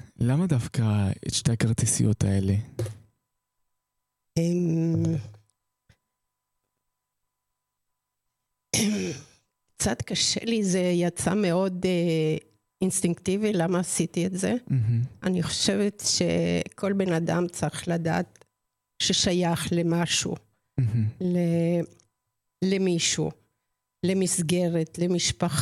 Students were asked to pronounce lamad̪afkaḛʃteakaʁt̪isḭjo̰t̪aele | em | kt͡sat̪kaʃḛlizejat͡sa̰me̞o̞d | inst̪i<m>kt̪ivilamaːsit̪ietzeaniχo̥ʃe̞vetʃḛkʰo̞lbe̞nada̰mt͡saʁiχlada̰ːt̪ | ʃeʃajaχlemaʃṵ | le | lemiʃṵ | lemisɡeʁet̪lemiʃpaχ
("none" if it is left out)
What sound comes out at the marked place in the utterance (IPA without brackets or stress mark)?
ŋ